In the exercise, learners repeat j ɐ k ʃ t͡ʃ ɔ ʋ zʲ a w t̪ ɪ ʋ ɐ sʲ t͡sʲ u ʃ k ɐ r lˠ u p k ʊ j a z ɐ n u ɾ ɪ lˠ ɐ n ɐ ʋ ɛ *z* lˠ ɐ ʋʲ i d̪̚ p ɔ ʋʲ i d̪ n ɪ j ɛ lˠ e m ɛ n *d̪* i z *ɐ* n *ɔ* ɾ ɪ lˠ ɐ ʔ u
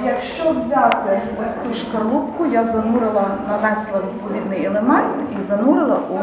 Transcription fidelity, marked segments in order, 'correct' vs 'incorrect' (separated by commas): incorrect, incorrect, correct, incorrect